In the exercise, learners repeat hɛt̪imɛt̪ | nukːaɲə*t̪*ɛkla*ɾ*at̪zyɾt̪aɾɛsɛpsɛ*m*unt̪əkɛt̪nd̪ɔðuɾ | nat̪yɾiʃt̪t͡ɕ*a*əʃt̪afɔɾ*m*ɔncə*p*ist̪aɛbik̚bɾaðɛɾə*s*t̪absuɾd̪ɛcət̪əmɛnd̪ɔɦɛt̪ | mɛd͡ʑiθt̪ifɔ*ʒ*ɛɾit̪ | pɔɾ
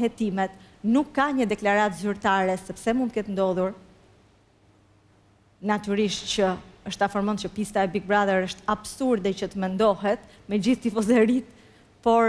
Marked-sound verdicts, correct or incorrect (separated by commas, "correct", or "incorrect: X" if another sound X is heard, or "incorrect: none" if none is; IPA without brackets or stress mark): incorrect: d̪, correct, correct, incorrect: ə, correct, correct, incorrect: ʃ, incorrect: z